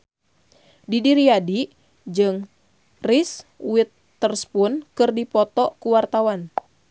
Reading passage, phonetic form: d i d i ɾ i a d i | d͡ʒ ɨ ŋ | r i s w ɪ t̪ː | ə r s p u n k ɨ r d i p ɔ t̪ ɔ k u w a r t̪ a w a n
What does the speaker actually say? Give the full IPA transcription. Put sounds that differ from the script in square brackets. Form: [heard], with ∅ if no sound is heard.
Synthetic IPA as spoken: d i d i ɾ i a d i | d͡ʒ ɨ ŋ | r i s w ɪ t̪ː | ə r s p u n k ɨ r d i p ɔ t̪ ɔ k u w a r t̪ a w a n